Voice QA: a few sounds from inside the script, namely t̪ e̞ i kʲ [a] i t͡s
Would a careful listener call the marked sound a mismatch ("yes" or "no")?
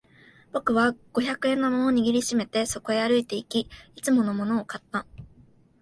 yes